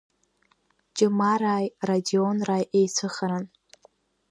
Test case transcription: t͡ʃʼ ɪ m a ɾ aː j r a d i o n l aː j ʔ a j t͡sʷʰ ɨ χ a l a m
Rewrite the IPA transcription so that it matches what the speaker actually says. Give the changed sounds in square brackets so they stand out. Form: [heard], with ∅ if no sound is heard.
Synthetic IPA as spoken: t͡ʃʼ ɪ m a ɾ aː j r a d i o n [r] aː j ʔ [e] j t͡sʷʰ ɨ χ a [ɾ] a [n]